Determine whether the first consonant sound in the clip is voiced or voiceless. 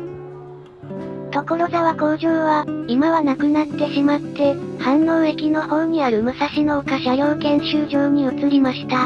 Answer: voiceless